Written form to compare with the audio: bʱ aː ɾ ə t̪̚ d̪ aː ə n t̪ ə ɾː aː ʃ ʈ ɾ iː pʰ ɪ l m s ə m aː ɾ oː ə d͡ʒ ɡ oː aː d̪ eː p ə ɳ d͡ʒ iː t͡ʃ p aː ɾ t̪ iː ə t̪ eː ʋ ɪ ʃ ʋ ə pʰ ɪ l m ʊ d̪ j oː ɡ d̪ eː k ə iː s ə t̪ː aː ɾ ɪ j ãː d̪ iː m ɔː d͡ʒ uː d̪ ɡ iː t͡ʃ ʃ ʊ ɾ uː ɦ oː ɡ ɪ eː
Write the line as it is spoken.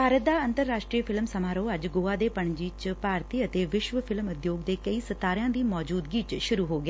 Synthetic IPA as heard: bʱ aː ɾ ə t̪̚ d̪ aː ə n t̪ ə ɾː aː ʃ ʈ ɾ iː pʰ ɪ l m s ə m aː ɾ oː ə d͡ʒ ɡ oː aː d̪ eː p ə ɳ d͡ʒ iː t͡ʃ p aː ɾ t̪ iː ə t̪ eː ʋ ɪ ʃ ʋ ə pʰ ɪ l m ʊ d̪ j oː ɡ d̪ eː k ə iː s ə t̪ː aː ɾ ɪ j ãː d̪ iː m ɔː d͡ʒ uː d̪ ɡ iː t͡ʃ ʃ ʊ ɾ uː ɦ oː ɡ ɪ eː

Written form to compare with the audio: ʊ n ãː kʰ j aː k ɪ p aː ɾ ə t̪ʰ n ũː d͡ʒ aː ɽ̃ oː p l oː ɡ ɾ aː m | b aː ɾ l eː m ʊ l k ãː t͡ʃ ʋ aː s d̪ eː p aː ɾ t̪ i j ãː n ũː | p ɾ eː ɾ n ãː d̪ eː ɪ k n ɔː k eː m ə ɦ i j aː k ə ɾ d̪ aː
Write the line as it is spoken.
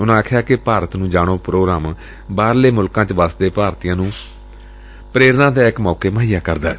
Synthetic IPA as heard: ʊ n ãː kʰ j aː k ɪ p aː ɾ ə t̪ n ũː d͡ʒ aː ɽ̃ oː p ɾ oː ɡ ɾ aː m | b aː ɾ l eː m ʊ l k ãː t͡ʃ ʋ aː s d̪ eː p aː ɾ t̪ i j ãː n ũː | p ɾ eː ɾ n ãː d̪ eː ɪ k m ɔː k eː m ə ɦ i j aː k ə ɾ d̪ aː

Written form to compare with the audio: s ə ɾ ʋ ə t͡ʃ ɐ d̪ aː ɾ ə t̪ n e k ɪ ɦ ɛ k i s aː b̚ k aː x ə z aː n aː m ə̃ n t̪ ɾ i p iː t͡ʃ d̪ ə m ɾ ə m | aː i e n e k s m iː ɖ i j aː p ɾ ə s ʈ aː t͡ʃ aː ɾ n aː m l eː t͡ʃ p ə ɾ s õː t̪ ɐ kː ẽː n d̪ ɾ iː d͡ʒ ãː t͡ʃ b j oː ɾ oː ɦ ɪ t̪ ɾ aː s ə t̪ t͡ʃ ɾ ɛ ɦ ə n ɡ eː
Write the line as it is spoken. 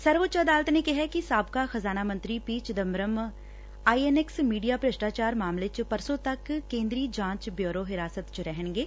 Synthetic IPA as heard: s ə ɾ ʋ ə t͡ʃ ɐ d̪ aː l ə t̪ n e k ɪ ɦ ɛ k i s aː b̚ k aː x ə z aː n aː m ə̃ n t̪ ɾ i p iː t͡ʃ d̪ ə m ɾ ə m | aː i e n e k s m iː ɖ i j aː p ɾ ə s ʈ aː t͡ʃ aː ɾ m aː m l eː t͡ʃ p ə ɾ s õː t̪ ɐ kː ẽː n d̪ ɾ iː d͡ʒ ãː t͡ʃ b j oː ɾ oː ɦ ɪ ɾ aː s ə t̪ t͡ʃ ɾ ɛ ɦ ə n ɡ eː

